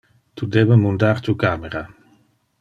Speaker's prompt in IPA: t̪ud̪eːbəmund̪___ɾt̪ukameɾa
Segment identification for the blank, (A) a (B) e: A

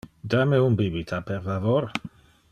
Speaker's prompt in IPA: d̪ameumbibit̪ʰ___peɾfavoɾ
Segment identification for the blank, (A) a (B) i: A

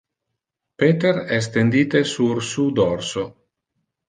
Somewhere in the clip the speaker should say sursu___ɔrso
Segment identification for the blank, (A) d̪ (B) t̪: A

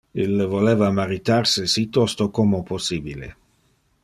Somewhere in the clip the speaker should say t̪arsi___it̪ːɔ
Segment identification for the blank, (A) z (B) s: B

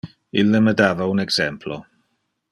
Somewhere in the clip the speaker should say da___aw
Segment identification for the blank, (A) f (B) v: B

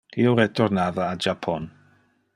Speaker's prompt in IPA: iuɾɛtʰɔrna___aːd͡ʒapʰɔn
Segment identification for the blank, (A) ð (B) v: A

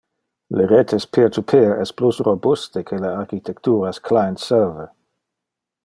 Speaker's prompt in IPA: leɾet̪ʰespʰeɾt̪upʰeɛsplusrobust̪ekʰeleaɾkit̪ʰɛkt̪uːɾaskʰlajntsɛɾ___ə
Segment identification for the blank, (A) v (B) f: A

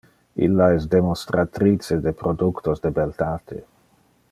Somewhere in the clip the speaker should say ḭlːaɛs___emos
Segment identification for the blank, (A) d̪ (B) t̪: A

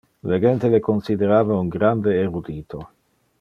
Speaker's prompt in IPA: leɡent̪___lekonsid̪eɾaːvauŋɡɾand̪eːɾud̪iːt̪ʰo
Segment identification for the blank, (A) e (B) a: A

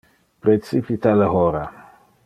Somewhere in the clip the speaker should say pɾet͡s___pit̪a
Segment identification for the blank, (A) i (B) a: A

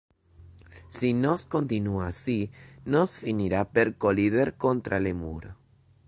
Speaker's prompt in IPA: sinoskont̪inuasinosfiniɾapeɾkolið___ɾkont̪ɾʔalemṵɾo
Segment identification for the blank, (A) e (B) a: A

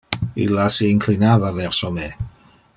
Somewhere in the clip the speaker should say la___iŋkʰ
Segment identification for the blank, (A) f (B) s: B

